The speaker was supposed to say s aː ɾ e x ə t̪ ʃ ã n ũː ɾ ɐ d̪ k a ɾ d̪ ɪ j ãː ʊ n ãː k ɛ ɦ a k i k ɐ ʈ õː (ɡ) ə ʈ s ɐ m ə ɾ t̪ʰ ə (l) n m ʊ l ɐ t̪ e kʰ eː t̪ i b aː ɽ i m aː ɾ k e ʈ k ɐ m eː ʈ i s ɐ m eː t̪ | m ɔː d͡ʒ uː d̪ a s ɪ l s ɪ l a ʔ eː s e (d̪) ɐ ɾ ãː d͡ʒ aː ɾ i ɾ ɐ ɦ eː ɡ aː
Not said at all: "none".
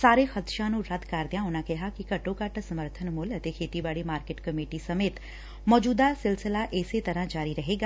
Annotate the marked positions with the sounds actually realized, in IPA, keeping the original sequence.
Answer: k, none, t̪

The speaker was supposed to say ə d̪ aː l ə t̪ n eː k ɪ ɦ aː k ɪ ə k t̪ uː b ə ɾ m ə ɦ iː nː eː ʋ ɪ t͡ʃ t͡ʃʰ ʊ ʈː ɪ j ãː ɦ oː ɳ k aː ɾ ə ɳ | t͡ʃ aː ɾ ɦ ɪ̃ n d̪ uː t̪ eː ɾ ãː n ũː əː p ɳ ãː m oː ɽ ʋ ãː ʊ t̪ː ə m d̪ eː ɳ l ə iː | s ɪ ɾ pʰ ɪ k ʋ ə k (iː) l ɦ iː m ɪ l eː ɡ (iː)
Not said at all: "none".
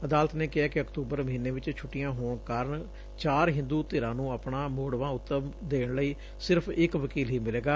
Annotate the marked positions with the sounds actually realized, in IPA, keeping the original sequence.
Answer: iː, aː

